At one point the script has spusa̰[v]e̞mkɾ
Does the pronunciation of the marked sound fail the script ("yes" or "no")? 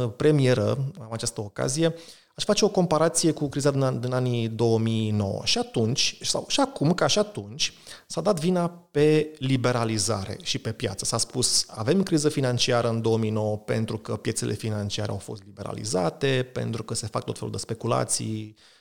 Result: no